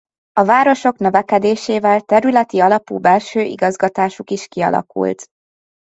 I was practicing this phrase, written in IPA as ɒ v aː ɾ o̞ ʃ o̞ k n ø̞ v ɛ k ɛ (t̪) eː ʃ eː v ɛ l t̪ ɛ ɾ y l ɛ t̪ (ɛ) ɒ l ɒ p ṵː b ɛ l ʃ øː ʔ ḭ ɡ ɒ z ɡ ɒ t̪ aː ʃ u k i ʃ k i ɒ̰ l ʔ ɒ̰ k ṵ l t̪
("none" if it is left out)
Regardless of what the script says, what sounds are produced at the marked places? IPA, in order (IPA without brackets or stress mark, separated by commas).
d̪, i